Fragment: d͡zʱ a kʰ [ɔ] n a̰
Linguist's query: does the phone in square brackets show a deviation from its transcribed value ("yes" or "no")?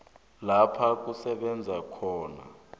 yes